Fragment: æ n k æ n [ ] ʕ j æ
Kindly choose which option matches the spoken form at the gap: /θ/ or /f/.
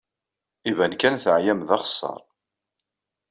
θ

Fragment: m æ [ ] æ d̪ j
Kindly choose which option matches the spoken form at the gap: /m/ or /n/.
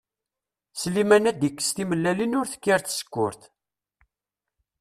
n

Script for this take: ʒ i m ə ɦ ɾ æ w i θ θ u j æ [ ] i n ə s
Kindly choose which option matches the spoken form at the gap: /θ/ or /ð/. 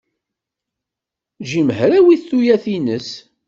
θ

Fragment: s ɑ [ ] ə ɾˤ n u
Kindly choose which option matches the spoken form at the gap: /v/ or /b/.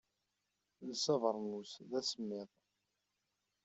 v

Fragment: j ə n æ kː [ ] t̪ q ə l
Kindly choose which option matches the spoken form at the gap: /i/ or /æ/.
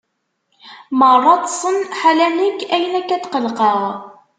æ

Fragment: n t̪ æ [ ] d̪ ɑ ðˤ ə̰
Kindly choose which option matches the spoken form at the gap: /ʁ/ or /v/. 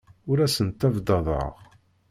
v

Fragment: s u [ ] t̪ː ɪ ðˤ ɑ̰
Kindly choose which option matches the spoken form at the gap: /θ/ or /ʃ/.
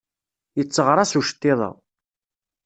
ʃ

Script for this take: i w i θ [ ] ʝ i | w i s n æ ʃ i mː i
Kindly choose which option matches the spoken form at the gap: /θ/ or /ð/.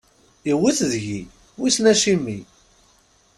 ð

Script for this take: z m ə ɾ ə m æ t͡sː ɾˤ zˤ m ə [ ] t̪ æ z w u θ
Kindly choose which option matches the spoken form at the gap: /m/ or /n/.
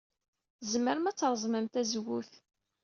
m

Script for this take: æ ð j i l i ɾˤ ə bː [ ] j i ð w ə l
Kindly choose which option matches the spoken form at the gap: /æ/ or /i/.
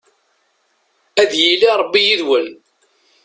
i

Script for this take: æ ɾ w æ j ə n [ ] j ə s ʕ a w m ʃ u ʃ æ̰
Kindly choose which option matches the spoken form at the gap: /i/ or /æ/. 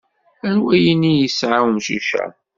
i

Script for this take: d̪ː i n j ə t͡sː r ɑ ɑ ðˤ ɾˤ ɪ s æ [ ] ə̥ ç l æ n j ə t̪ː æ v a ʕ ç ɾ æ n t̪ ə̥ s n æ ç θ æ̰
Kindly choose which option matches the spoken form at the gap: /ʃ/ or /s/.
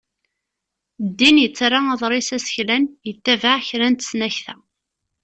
s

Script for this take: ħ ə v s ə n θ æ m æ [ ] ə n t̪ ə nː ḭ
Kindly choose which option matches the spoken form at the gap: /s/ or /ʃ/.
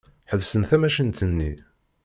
ʃ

